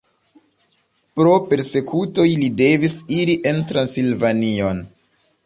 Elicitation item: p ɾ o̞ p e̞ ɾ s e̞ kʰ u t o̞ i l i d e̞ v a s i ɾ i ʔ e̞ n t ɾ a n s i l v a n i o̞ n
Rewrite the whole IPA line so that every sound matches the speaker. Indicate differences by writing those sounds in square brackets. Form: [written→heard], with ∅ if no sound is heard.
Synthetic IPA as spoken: p ɾ o̞ p e̞ ɾ s e̞ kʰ u t o̞ [i→j] l i d e̞ v [a→i] s i ɾ i ʔ e̞ n t ɾ a n s i l v a n i o̞ n